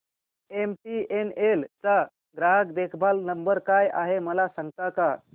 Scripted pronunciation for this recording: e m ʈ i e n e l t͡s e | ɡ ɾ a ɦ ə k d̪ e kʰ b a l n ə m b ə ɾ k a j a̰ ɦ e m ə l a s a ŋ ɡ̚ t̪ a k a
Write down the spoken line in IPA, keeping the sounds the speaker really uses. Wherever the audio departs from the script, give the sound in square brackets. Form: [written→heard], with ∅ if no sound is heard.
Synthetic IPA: e m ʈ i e n e l t͡s [e→a] | ɡ ɾ a ɦ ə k d̪ e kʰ b a l n ə m b ə ɾ k a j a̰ ɦ e m ə l a s a ŋ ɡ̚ t̪ a k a